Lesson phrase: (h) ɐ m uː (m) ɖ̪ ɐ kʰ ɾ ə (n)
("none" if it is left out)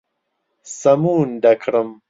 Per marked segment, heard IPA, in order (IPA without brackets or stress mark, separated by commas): s, n, m